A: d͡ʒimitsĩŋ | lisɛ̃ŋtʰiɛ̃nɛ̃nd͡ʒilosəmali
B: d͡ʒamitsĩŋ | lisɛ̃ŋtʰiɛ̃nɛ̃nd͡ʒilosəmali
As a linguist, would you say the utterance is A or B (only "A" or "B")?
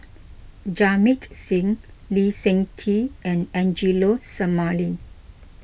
B